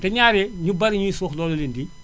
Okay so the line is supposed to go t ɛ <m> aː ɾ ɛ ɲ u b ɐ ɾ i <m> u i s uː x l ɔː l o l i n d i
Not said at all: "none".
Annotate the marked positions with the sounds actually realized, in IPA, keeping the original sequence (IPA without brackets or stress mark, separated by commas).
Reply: ɲ, ɲ